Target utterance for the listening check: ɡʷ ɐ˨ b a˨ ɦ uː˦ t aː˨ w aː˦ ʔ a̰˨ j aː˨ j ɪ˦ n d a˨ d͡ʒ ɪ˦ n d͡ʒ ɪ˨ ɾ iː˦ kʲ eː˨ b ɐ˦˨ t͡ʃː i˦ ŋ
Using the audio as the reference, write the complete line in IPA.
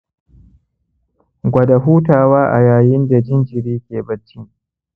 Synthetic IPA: ɡʷ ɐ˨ d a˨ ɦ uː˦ t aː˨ w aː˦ ʔ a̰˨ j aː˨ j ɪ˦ n d a˨ d͡ʒ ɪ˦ n d͡ʒ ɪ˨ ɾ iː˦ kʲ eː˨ b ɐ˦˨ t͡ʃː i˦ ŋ